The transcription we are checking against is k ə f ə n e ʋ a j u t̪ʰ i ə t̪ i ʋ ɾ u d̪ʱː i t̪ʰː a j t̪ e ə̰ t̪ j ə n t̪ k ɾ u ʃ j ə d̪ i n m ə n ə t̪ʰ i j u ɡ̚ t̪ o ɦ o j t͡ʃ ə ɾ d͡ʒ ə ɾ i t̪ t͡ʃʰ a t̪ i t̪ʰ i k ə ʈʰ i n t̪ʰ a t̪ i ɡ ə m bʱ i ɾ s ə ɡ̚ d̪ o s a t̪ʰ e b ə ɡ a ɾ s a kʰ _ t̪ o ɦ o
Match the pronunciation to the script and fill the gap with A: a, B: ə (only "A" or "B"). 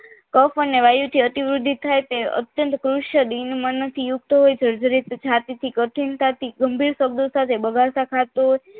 A